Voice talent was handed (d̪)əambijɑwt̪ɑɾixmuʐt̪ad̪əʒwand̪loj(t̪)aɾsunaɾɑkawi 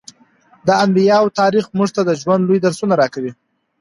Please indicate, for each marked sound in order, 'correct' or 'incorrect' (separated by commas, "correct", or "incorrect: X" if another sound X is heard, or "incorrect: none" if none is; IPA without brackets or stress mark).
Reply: correct, incorrect: d̪